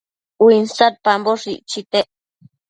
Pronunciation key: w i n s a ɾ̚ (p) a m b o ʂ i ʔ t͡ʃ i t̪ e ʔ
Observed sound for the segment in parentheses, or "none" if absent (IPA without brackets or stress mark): p